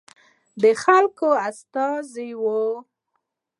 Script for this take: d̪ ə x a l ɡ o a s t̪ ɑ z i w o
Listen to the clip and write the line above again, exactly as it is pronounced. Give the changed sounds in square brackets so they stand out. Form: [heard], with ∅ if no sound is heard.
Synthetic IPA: d̪ ə x a l [k] o a s t̪ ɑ z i w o